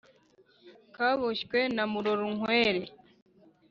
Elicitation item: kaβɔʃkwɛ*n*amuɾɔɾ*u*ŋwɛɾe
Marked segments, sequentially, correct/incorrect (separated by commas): correct, correct